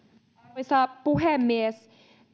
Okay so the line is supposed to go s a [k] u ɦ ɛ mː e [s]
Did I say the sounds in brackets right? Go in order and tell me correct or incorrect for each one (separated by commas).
incorrect, correct